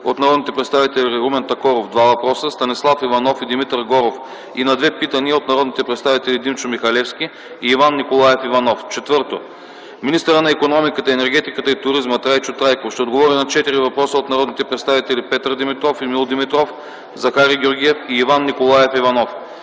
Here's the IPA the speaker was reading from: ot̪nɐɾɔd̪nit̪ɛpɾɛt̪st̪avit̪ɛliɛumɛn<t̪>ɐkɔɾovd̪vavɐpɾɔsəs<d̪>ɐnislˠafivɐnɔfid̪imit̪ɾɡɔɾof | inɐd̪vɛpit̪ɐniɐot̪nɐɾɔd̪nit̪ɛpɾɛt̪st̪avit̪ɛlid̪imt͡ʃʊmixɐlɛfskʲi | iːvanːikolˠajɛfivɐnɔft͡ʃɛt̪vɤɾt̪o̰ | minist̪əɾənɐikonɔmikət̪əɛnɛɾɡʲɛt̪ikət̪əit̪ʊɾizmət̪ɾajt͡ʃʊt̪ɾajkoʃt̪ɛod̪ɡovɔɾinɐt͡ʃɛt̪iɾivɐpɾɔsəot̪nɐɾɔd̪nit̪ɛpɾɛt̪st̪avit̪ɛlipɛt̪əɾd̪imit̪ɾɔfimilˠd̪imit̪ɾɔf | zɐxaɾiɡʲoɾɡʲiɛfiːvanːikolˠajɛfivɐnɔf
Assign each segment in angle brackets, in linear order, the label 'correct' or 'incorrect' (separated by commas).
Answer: correct, incorrect